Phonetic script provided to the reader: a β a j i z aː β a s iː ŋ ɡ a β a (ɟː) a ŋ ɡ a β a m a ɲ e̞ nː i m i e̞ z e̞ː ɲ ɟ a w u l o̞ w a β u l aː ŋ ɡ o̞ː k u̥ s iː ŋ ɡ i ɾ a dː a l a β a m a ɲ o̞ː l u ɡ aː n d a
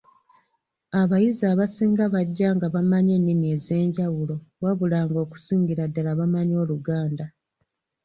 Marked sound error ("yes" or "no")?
no